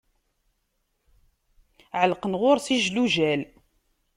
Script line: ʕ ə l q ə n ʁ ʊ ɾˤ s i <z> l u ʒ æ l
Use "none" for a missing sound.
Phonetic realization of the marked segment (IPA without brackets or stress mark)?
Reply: ʒ